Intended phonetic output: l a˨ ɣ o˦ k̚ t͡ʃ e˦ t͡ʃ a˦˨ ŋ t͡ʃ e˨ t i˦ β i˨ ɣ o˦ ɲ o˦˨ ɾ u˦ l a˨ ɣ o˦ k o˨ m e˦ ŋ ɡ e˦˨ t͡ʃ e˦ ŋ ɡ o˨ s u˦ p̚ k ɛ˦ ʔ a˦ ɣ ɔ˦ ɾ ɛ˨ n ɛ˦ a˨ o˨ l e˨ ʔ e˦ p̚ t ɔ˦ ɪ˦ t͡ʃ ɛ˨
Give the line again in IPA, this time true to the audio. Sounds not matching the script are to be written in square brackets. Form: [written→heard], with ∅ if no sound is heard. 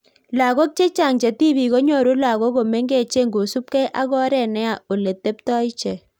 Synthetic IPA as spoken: l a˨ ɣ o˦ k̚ t͡ʃ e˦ t͡ʃ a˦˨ ŋ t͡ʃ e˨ t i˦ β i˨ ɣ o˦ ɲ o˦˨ ɾ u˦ l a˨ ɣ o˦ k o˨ m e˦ ŋ ɡ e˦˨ t͡ʃ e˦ ŋ ɡ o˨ s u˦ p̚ k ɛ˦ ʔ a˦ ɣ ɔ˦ ɾ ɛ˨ n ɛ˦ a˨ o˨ l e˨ [ʔ→t] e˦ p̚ t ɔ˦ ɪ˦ t͡ʃ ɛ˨